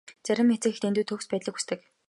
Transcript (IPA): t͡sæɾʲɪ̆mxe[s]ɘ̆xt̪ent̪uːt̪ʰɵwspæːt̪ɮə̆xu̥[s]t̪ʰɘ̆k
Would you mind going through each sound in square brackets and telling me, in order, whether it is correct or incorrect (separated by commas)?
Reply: incorrect, correct